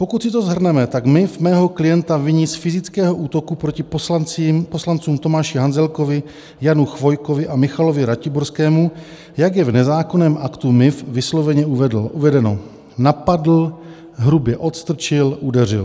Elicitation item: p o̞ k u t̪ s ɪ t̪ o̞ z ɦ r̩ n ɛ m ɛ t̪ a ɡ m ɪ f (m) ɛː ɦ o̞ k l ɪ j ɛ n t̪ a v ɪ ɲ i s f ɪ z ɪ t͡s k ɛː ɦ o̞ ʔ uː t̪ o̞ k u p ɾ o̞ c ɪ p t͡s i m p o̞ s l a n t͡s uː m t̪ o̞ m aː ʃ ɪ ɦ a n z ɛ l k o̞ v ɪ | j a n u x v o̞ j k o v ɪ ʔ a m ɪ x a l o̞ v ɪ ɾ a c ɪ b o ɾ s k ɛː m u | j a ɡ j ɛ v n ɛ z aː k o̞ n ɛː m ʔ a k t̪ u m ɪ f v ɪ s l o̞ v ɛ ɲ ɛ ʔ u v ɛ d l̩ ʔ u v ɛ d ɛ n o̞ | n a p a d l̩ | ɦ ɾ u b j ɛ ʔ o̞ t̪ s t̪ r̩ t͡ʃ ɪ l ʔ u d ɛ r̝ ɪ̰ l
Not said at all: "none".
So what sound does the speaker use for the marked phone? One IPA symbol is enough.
m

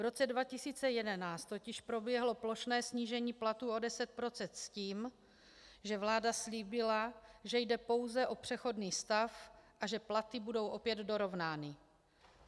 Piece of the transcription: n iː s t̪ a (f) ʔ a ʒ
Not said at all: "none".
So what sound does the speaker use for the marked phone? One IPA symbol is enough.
f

